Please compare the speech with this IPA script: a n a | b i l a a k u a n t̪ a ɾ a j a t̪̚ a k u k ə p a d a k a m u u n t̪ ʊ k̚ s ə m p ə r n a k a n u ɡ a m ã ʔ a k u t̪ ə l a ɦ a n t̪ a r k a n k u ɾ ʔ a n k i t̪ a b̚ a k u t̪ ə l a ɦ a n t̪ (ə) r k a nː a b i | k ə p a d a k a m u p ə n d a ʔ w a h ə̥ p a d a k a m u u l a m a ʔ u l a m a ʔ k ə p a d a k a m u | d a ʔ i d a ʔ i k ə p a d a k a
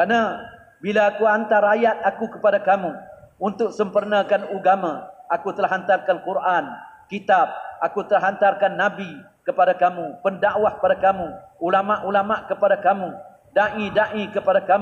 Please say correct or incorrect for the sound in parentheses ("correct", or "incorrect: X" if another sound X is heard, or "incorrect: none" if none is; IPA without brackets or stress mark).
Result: incorrect: a